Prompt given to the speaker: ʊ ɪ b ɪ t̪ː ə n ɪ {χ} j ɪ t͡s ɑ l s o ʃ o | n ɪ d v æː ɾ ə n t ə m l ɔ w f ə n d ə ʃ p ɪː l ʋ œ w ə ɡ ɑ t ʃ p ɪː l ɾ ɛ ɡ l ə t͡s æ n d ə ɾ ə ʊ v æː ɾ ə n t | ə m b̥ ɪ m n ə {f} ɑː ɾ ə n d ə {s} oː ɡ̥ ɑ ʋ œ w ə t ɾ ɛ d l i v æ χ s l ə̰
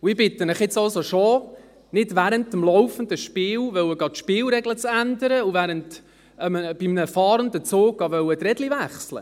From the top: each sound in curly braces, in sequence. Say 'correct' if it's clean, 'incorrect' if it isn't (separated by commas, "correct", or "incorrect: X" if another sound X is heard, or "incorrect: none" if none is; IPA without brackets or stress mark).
correct, correct, incorrect: t͡s